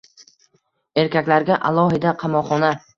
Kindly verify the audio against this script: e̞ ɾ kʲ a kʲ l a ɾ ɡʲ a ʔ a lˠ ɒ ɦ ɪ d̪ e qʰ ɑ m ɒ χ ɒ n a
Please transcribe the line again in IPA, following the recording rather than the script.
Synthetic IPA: e̞ ɾ kʲ a kʲ l a ɾ ɡʲ a ʔ a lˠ ɒ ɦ ɪ d̪ a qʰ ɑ m ɒ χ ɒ n a